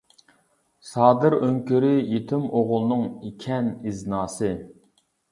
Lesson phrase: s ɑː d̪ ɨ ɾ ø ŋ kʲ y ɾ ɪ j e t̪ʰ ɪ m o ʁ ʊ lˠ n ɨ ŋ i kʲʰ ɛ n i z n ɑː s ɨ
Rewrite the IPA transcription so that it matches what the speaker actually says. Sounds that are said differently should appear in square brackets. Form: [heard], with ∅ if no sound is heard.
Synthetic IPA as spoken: s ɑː d̪ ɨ ɾ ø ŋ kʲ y ɾ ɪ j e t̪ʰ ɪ m o ʁ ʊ lˠ n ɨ ŋ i kʲʰ ɛ n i z n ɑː s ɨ